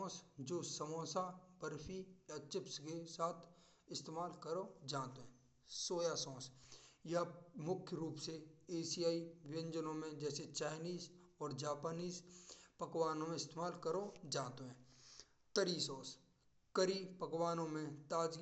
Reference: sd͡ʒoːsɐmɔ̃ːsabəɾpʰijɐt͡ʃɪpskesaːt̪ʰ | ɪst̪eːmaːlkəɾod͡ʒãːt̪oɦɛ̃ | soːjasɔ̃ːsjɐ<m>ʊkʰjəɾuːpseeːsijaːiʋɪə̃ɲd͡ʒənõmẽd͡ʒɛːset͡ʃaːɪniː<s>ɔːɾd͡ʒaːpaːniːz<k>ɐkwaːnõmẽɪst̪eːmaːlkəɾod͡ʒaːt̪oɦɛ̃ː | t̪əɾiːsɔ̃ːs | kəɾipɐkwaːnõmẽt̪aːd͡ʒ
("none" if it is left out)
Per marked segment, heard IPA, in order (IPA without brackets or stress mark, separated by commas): m, z, p